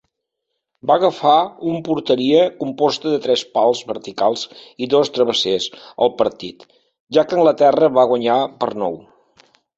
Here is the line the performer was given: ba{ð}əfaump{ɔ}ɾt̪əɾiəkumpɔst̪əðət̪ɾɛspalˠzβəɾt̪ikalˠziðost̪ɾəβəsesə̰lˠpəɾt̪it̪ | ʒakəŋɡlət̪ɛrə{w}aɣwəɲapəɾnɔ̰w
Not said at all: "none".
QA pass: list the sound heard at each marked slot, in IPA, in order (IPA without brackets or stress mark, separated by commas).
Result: ɣ, u, β